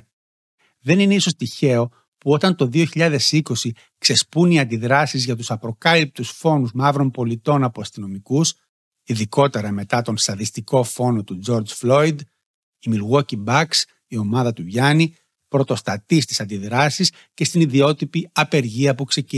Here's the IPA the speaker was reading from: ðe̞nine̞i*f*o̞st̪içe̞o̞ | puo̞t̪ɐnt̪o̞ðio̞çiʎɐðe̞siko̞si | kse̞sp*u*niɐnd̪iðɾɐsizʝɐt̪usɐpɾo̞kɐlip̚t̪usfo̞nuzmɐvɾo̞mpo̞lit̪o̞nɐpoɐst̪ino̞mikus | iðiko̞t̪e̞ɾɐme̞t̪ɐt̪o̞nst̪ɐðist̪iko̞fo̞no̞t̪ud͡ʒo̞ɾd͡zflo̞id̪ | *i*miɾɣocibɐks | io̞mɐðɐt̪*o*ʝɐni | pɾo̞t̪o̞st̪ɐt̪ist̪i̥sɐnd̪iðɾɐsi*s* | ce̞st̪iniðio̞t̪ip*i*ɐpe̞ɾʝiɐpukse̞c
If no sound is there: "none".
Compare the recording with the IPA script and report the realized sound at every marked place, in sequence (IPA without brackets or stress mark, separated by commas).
s, u, i, u, s, i